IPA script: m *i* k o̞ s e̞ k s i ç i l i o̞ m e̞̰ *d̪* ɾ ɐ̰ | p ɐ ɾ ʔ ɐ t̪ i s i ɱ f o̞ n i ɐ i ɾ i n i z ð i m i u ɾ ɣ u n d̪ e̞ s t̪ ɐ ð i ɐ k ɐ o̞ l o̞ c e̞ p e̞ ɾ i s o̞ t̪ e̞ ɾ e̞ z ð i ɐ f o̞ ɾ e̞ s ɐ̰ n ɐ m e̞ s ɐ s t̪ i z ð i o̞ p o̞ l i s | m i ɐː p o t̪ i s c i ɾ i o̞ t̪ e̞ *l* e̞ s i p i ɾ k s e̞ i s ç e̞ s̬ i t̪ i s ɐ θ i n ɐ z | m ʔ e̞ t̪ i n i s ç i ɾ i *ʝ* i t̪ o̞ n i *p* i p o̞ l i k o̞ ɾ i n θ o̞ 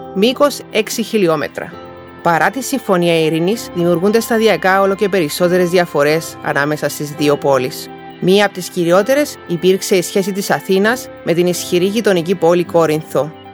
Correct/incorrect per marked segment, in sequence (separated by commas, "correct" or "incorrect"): correct, incorrect, incorrect, correct, incorrect